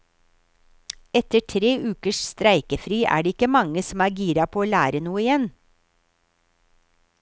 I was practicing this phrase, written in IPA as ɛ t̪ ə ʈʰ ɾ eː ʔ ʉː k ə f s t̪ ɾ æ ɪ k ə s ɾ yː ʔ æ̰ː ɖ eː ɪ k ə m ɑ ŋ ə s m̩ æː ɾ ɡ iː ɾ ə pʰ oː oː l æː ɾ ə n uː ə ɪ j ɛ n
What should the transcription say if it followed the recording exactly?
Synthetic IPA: ɛ t̪ ə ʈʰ ɾ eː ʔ ʉː k ə ʃ s t̪ ɾ æ ɪ k ə f ɾ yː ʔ æ̰ː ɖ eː ɪ k ə m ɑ ŋ ə s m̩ æː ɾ ɡ iː ɾ ɑ pʰ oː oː l æː ɾ ə n uː ə ɪ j ɛ n